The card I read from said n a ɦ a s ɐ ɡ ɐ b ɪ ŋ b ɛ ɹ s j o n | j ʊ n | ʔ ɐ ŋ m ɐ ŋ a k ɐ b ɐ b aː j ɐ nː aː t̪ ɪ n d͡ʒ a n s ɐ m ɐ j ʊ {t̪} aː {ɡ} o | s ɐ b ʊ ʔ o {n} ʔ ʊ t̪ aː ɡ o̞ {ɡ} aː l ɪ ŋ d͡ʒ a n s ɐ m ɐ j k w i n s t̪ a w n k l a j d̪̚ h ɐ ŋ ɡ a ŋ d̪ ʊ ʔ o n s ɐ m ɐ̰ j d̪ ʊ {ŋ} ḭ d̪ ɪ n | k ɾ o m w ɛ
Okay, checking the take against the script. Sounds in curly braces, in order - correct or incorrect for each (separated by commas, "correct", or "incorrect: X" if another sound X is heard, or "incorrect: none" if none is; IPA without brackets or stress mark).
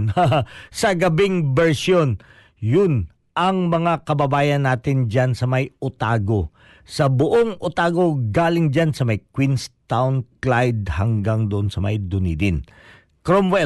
correct, correct, incorrect: ŋ, correct, incorrect: n